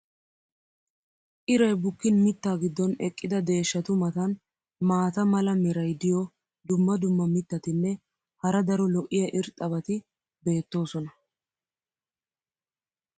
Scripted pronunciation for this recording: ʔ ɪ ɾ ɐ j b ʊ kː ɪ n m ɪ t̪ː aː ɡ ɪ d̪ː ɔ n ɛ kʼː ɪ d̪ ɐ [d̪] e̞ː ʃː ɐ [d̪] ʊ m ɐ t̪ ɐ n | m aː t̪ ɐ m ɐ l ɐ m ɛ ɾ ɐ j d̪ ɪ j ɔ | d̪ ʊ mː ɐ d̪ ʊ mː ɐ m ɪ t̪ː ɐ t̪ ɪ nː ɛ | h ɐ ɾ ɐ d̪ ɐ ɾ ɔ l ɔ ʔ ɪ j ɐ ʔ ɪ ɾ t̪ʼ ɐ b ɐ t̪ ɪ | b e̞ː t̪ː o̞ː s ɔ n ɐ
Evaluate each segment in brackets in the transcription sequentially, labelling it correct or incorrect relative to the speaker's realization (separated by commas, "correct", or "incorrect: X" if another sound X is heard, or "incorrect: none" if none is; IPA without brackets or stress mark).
correct, incorrect: t̪